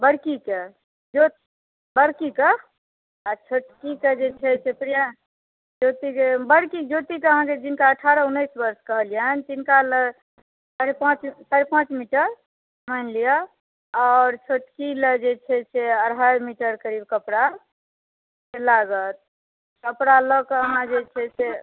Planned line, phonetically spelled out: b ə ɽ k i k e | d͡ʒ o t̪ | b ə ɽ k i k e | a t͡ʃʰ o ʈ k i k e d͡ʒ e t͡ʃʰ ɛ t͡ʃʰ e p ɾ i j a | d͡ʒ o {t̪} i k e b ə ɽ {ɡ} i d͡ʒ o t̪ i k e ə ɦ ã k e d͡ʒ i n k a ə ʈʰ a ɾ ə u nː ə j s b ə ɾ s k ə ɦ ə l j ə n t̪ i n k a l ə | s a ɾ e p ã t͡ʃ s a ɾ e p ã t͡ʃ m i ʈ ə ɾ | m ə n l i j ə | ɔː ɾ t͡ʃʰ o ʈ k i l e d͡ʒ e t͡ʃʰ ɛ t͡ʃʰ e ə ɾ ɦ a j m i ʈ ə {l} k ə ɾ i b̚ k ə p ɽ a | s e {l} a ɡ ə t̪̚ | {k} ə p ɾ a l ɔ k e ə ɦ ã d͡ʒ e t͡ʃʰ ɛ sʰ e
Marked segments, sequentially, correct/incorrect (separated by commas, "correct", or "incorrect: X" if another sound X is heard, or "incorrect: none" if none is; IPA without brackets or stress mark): correct, incorrect: k, incorrect: ɾ, correct, correct